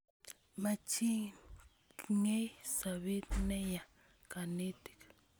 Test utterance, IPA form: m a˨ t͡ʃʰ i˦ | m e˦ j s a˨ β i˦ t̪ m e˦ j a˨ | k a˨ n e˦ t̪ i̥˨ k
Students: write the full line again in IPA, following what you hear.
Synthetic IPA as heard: m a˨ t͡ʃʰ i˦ | ŋ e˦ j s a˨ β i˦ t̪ n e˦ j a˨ | k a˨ n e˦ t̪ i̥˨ k